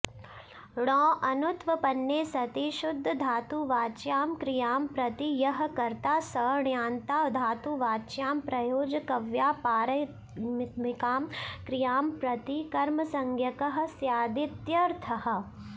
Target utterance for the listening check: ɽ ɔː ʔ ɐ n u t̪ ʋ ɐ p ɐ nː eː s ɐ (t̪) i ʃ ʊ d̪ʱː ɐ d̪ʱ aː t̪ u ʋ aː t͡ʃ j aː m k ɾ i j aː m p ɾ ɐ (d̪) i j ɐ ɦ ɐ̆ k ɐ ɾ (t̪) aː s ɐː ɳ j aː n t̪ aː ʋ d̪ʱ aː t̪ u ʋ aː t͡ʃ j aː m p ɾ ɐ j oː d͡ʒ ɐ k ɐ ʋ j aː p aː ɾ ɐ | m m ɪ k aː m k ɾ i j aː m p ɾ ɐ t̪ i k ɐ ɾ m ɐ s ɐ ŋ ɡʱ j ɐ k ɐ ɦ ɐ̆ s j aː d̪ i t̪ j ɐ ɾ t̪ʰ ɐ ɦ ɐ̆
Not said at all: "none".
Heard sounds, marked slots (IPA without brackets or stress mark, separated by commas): t̪, t̪, t̪